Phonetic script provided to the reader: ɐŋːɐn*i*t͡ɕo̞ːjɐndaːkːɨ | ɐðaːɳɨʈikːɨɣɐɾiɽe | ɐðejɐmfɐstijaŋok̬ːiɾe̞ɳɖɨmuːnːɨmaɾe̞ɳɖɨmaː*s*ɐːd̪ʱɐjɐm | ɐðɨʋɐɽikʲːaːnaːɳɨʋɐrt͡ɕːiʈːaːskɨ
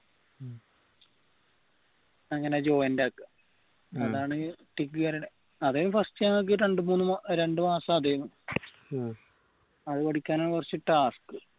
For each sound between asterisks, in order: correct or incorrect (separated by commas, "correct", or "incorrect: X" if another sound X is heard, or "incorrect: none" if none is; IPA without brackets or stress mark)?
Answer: incorrect: e, correct